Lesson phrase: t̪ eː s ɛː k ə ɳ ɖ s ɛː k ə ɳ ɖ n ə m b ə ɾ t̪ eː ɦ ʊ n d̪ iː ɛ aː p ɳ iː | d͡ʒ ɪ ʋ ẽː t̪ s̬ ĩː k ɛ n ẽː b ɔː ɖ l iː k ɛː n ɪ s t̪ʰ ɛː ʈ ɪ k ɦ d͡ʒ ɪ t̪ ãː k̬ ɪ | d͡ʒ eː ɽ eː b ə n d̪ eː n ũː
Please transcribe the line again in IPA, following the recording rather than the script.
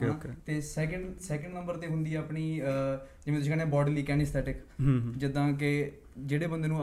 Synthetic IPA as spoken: t̪ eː s ɛː k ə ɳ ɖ s ɛː k ə ɳ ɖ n ə m b ə ɾ t̪ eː ɦ ʊ n d̪ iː ɛ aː p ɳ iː | d͡ʒ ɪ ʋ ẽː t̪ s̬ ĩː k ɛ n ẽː b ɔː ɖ l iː k ɛː n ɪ s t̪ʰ ɛː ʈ ɪ k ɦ d͡ʒ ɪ d̪ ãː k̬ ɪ | d͡ʒ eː ɽ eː b ə n d̪ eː n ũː